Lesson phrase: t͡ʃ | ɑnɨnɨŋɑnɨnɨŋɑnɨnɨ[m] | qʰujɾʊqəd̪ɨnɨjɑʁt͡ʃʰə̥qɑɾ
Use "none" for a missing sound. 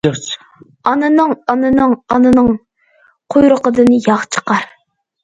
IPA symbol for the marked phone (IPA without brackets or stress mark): ŋ